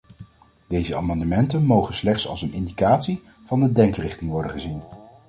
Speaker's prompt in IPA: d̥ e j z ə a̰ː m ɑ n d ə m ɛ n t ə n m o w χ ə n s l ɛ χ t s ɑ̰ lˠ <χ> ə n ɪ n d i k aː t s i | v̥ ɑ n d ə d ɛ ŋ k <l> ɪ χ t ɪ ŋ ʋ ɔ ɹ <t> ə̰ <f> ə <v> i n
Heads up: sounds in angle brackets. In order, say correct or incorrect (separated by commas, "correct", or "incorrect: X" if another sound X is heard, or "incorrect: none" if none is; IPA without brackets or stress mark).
incorrect: s, incorrect: r, incorrect: d, incorrect: χ, incorrect: z